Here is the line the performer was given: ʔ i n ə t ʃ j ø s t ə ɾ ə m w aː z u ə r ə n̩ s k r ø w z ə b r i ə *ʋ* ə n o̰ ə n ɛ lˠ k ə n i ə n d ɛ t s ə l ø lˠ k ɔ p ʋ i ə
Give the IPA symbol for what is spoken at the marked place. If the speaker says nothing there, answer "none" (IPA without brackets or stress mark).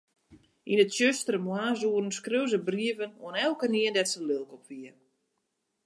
v